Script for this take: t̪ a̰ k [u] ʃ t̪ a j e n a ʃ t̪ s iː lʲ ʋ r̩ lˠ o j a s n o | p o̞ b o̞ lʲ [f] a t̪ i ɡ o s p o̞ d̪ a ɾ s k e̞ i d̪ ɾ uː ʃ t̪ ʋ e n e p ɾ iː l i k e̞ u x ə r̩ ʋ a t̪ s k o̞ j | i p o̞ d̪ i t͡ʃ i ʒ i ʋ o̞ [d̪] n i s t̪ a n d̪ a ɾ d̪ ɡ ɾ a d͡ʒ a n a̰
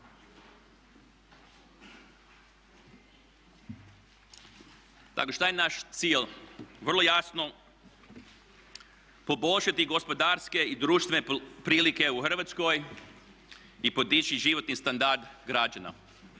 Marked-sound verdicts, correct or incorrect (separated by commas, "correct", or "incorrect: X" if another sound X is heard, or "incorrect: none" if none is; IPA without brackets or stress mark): incorrect: o, incorrect: ʃ, incorrect: t̪